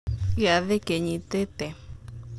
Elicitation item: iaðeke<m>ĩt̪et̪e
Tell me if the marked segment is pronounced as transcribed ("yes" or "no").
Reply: no